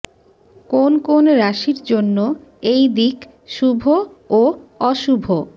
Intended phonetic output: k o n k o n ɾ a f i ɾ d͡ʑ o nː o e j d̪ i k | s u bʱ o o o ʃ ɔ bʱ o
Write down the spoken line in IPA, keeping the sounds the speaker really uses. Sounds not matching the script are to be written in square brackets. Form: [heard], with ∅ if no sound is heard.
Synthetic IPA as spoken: k o n k o n ɾ a [ʃ] i ɾ d͡ʑ o nː o e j d̪ i k | [ʃ] u bʱ o o [ɔ] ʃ [u] bʱ o